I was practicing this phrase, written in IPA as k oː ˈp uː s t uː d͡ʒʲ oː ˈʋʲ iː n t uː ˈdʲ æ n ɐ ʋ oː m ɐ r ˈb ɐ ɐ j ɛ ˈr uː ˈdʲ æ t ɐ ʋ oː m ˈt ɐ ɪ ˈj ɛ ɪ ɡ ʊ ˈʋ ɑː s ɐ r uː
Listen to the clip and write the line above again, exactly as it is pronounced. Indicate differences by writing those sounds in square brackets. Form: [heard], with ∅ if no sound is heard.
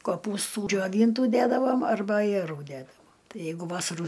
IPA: k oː ˈp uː s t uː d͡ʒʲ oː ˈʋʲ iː n t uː ˈdʲ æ [d] ɐ ʋ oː m ɐ r ˈb ɐ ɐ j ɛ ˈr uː ˈdʲ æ [d] ɐ ʋ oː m ˈt ɐ ɪ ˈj ɛ ɪ ɡ ʊ ˈʋ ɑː s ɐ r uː

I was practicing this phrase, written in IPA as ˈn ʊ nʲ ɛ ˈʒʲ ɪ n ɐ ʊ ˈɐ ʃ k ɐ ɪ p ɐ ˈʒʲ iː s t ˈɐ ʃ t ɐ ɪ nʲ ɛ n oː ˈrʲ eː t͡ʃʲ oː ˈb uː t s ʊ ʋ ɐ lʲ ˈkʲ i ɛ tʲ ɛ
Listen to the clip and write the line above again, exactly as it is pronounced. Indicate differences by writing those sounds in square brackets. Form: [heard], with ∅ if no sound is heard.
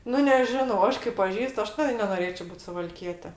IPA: ˈn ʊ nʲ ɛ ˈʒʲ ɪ n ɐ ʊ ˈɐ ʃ k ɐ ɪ p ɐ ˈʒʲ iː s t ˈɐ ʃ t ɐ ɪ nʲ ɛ n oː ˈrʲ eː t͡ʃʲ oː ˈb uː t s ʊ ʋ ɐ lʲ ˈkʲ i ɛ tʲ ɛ

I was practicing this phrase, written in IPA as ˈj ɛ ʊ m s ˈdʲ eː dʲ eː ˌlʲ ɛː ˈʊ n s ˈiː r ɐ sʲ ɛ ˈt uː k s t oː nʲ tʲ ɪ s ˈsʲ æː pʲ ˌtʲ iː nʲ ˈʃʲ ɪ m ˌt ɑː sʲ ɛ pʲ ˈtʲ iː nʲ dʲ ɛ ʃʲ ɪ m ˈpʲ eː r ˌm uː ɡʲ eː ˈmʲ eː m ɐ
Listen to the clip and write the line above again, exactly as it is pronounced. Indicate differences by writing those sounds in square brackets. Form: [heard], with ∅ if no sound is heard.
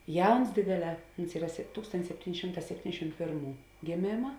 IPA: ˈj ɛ ʊ [n] s ˈdʲ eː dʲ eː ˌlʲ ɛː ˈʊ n s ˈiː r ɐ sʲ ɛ ˈt uː k s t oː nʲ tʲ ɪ s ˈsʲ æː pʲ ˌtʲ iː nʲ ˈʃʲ ɪ m ˌt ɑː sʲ ɛ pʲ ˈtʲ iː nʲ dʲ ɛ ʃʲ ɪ m ˈpʲ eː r ˌm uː ɡʲ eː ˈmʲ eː m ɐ

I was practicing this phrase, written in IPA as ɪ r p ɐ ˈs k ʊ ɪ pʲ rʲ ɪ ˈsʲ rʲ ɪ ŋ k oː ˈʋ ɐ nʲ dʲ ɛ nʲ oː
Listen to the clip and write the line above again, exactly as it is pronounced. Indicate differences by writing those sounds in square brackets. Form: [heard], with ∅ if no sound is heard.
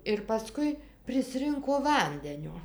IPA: ɪ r p ɐ ˈs k ʊ ɪ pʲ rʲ ɪ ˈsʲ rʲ ɪ ŋ k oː ˈʋ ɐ nʲ dʲ ɛ nʲ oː

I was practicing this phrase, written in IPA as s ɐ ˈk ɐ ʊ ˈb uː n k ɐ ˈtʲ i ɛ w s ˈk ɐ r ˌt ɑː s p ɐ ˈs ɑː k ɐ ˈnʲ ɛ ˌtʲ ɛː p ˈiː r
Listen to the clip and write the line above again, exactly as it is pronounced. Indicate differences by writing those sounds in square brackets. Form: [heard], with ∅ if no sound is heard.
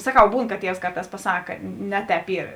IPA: s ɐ ˈk ɐ ʊ ˈb uː n k ɐ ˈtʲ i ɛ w s ˈk ɐ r ˌt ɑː s p ɐ ˈs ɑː k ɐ ˈnʲ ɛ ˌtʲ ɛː p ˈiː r

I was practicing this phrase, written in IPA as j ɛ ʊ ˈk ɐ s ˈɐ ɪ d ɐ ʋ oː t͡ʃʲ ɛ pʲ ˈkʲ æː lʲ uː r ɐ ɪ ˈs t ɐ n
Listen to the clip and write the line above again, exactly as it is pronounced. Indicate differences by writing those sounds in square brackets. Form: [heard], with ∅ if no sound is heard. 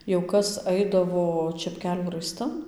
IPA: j ɛ ʊ ˈk ɐ s ˈɐ ɪ d ɐ ʋ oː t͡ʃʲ ɛ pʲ ˈkʲ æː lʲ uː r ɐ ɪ ˈs t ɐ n

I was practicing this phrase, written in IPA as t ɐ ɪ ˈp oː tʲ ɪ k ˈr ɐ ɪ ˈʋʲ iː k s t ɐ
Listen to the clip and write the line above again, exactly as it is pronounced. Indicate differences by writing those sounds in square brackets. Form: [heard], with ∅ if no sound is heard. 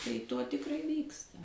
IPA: t ɐ ɪ [ˈt] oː tʲ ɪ k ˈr ɐ ɪ ˈʋʲ iː k s t ɐ

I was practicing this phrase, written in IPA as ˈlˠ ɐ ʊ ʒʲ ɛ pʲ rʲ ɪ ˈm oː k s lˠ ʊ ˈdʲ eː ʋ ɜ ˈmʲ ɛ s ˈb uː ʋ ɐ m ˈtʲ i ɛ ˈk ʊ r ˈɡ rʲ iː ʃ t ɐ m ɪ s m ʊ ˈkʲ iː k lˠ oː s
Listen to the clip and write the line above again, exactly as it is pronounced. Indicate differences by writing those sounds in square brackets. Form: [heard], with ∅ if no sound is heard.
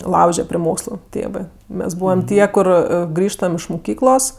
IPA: ˈlˠ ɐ ʊ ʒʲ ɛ pʲ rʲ ɪ ˈm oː k s lˠ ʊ [ˈtʲ] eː ʋ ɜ ˈmʲ ɛ s ˈb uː ʋ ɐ m ˈtʲ i ɛ ˈk ʊ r ˈɡ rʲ iː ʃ t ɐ m ɪ [ʃ] m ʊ ˈkʲ iː k lˠ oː s

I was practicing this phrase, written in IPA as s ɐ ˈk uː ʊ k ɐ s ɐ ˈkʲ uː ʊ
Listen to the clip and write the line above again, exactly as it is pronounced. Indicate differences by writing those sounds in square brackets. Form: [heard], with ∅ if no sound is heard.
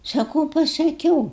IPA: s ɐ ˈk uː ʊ [p] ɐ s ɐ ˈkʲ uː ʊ

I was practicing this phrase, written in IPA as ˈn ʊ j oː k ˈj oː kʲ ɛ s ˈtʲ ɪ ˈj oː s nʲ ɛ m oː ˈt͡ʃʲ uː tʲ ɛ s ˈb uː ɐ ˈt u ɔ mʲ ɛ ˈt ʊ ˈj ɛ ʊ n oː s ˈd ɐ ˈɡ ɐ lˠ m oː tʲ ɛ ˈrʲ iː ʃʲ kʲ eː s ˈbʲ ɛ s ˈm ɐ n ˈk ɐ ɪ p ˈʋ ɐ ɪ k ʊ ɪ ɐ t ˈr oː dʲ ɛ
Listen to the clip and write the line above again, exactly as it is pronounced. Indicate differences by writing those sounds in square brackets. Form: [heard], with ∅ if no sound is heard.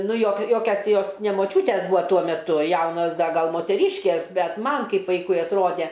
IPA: ˈn ʊ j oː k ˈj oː kʲ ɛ s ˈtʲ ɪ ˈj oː s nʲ ɛ m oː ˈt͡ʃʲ uː tʲ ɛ s ˈb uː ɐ ˈt u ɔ mʲ ɛ ˈt ʊ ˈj ɛ ʊ n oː s ˈd ɐ ˈɡ ɐ lˠ m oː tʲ ɛ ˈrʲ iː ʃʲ kʲ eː s ˈbʲ ɛ [t] ˈm ɐ n ˈk ɐ ɪ p ˈʋ ɐ ɪ k ʊ ɪ ɐ t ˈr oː dʲ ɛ

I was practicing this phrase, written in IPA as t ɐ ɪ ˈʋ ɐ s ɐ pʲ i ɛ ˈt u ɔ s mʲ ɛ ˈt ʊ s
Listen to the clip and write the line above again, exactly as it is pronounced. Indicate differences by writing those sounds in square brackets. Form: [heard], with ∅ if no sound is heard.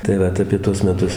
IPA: t ɐ ɪ ˈʋ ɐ [t] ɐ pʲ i ɛ ˈt u ɔ s mʲ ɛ ˈt ʊ s

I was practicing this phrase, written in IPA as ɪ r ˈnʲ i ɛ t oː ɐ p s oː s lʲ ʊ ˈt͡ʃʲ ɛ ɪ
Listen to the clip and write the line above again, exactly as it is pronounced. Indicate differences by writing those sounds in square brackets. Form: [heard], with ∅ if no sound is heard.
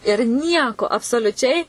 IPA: ɪ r ˈnʲ i ɛ [k] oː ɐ p s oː [∅] lʲ ʊ ˈt͡ʃʲ ɛ ɪ

